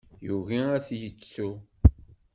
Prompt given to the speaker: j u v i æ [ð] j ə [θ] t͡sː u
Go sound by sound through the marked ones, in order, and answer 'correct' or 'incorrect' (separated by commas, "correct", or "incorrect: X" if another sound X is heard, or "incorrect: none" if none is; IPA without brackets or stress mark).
incorrect: θ, incorrect: none